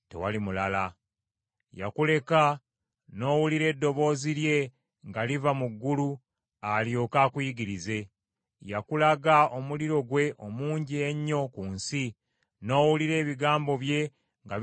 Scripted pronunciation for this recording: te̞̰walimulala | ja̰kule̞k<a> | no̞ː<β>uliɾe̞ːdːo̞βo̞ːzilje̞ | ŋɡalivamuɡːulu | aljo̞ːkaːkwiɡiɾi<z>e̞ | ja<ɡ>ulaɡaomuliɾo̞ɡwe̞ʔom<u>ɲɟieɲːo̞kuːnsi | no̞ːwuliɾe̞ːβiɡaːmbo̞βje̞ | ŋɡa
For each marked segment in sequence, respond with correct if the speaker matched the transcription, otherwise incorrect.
correct, incorrect, correct, incorrect, incorrect

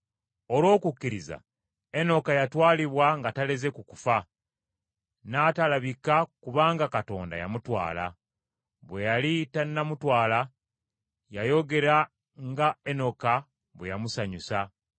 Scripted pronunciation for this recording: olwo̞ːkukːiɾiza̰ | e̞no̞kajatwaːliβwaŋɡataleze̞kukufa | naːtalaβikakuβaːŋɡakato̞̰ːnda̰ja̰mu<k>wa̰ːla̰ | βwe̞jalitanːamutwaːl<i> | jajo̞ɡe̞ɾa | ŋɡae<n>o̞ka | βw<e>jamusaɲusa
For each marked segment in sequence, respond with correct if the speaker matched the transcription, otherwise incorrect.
incorrect, incorrect, correct, correct

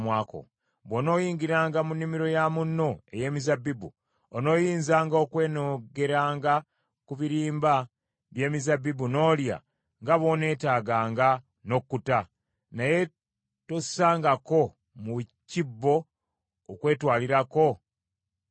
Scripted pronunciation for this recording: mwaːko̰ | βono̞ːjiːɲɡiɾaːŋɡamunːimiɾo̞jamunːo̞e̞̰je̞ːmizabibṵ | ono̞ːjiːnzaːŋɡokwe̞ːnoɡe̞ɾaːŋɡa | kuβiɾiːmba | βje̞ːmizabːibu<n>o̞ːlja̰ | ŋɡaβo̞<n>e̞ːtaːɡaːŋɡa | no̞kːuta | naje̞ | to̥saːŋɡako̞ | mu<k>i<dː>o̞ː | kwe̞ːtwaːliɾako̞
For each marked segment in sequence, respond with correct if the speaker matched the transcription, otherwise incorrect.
correct, correct, incorrect, incorrect

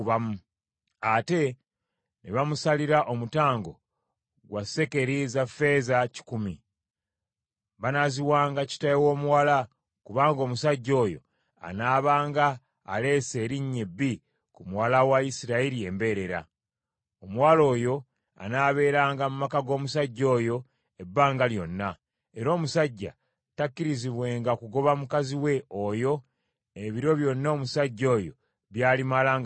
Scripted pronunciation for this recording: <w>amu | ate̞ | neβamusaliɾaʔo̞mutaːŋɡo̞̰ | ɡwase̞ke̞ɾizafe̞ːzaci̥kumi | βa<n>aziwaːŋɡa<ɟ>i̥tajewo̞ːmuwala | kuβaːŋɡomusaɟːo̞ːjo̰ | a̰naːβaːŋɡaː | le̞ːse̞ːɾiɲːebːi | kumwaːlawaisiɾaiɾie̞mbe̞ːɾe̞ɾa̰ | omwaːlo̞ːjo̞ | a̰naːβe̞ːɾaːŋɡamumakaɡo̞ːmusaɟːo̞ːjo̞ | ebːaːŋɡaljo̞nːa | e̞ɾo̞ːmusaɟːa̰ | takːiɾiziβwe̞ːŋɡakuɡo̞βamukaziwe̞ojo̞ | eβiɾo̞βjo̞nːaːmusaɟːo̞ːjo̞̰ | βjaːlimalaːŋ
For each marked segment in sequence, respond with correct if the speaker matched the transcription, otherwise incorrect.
incorrect, correct, incorrect

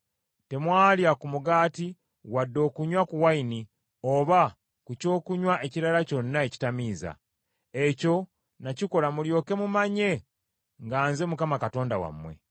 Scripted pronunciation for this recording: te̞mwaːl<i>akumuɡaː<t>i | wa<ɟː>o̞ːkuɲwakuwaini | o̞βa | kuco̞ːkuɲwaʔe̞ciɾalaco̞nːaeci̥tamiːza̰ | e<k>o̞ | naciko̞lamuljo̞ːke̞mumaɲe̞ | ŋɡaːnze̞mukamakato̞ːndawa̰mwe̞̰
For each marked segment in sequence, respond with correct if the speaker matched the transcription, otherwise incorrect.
incorrect, correct, incorrect, incorrect

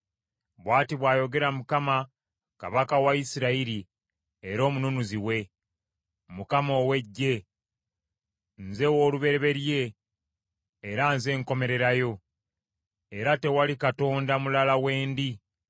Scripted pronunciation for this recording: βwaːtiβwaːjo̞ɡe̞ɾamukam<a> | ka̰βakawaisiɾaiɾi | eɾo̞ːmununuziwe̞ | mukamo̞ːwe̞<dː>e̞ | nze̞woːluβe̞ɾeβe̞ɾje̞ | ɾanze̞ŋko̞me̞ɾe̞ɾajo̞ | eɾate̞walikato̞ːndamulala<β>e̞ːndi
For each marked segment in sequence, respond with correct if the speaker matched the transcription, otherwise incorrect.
correct, incorrect, incorrect

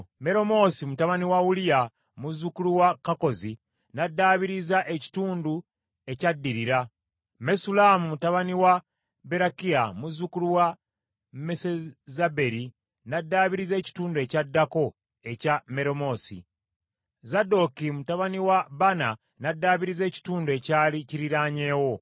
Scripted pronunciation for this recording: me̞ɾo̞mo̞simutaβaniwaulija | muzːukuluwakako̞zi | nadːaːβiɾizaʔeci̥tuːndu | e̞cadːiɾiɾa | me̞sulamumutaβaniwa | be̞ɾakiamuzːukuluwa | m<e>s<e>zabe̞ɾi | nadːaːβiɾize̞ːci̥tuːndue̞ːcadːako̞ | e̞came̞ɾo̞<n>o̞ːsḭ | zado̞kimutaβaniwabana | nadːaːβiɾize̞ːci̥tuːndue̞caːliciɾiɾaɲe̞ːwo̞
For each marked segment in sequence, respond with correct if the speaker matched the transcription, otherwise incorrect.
correct, correct, incorrect

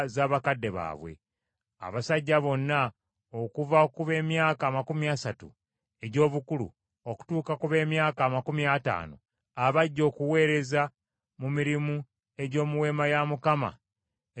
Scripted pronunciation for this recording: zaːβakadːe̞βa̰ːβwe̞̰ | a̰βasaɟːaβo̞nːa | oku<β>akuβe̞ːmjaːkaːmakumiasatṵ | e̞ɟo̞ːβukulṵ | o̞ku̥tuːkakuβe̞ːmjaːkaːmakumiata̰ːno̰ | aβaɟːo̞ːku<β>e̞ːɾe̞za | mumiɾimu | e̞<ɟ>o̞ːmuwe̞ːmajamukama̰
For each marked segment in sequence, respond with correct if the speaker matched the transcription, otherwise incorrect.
incorrect, incorrect, correct

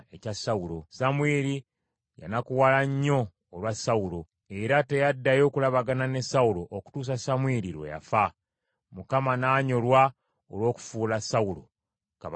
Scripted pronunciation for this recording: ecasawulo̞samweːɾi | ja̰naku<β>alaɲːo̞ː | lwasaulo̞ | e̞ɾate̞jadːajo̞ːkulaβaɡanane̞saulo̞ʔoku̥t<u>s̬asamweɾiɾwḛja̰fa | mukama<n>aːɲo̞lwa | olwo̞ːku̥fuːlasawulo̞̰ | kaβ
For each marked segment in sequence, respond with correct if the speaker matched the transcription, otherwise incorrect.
incorrect, incorrect, correct

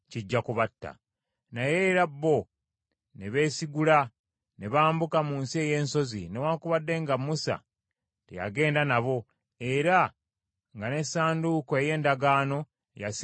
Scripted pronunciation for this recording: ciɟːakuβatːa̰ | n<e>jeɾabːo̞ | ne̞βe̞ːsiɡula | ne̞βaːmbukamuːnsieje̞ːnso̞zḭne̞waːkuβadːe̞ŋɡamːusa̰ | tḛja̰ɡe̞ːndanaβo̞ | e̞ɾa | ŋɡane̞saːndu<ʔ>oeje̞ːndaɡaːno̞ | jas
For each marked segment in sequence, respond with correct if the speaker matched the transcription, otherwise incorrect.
incorrect, incorrect

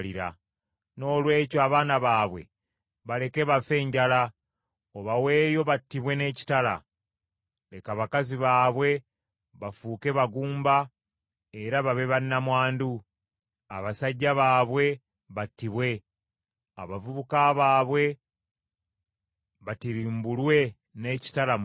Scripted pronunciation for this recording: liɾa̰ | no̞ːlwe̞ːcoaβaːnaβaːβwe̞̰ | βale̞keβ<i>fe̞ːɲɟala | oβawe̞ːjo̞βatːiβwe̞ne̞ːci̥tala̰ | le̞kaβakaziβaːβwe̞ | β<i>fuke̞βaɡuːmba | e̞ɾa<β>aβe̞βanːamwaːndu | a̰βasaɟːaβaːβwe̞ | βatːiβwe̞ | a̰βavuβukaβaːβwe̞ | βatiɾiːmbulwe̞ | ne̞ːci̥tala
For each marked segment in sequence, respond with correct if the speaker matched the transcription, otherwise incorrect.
incorrect, incorrect, correct

